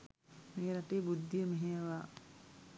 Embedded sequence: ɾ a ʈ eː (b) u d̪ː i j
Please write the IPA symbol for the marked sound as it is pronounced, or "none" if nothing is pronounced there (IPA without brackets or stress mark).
b